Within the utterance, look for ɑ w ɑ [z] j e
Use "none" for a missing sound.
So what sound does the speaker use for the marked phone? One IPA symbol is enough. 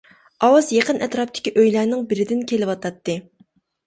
z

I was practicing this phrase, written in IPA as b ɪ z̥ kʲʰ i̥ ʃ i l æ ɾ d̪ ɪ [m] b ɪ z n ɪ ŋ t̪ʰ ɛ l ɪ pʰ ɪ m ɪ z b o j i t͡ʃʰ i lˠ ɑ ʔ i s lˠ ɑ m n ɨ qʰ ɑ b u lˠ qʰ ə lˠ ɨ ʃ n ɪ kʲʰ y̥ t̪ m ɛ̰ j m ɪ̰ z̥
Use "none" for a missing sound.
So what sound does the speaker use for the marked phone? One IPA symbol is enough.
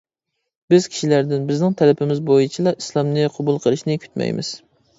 n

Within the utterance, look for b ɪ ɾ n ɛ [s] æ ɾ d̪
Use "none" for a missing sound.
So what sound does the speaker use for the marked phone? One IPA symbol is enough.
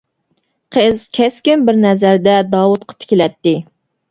z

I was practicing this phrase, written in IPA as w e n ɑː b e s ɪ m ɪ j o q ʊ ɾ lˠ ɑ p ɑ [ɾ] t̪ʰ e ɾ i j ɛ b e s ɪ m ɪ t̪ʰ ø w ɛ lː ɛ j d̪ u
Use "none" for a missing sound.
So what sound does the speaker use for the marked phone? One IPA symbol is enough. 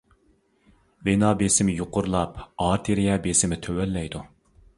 ɾ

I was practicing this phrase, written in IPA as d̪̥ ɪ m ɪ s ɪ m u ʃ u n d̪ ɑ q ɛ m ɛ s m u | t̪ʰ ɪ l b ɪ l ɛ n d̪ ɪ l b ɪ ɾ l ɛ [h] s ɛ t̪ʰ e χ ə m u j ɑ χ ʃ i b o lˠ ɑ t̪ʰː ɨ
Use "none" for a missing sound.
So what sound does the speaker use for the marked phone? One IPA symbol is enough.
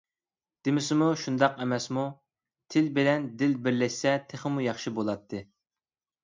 ʃ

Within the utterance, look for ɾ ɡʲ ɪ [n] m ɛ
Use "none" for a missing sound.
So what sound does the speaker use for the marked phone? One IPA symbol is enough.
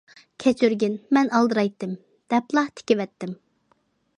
n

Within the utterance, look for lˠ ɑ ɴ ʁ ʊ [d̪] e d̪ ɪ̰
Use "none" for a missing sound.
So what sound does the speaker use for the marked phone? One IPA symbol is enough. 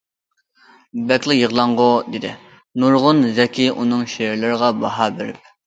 d̪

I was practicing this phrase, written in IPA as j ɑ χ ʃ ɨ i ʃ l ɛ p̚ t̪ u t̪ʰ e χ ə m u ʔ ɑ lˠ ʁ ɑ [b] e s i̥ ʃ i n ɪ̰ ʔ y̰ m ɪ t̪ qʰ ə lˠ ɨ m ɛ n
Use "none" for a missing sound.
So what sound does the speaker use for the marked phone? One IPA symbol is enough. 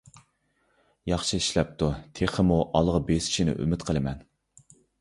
b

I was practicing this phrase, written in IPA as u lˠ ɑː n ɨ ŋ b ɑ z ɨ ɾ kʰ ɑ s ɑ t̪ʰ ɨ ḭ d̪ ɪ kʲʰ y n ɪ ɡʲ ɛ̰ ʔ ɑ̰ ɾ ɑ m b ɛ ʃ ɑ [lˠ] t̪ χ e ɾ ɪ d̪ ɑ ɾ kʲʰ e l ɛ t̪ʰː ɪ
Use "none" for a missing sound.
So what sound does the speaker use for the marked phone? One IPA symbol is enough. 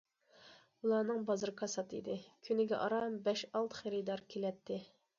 lˠ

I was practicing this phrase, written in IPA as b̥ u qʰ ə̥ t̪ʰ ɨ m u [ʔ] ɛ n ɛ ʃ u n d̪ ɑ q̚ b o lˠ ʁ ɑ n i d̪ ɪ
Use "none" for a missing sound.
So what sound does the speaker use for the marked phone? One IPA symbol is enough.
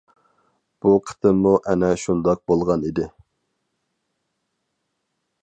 ʔ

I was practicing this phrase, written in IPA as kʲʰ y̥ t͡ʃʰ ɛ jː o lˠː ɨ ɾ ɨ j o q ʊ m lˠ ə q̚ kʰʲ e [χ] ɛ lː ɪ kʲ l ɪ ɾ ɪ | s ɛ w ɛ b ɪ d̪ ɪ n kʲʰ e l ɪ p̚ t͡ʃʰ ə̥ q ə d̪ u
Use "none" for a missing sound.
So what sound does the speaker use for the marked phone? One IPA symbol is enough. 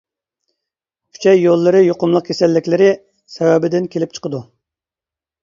s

